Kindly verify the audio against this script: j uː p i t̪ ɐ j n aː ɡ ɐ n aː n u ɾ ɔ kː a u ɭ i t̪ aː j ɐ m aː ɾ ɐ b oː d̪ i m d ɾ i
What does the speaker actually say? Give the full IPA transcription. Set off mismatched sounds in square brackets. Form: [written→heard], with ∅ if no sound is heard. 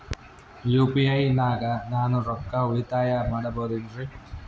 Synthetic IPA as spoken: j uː p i [t̪→∅] ɐ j n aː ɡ ɐ n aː n u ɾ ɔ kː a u ɭ i t̪ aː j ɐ m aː [ɾ→ɽ] ɐ b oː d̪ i [m→n] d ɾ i